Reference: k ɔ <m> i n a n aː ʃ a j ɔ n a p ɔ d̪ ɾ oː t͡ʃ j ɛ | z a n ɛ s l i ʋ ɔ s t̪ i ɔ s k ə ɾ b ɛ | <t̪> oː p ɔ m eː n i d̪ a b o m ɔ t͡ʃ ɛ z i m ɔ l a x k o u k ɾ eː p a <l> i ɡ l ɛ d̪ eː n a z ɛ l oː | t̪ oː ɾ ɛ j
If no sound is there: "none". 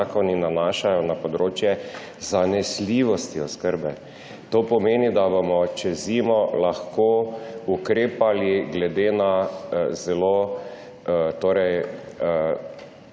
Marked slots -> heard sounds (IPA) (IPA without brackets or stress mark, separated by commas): n, t̪, l